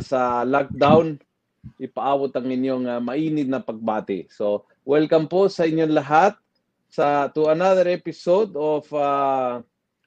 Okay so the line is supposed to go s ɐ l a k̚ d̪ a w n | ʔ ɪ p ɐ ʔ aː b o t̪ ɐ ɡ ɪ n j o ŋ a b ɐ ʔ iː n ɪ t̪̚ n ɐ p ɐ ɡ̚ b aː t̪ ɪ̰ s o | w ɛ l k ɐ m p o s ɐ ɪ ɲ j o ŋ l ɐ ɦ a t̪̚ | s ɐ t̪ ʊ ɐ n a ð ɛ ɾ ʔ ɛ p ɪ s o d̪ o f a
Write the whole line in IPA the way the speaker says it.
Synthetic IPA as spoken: s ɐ l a k̚ d̪ a w n | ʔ ɪ p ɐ ʔ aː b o t̪ ɐ ŋ ɪ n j o ŋ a m ɐ ʔ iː n ɪ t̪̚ n ɐ p ɐ ɡ̚ b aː t̪ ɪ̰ s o | w ɛ l k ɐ m p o s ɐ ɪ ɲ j o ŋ l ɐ ɦ a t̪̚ | s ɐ t̪ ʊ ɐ n a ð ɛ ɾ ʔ ɛ p ɪ s o d̪ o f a